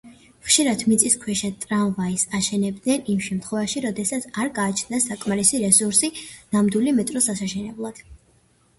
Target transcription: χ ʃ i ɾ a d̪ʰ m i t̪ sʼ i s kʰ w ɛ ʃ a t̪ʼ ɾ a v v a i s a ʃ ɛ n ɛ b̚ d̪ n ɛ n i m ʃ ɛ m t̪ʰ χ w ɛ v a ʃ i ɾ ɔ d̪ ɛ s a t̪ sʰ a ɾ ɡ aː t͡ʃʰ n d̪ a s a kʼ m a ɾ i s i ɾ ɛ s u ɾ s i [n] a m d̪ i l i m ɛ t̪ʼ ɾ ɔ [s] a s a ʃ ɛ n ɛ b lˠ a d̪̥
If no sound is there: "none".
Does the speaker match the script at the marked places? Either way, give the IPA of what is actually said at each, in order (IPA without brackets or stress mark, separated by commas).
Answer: n, s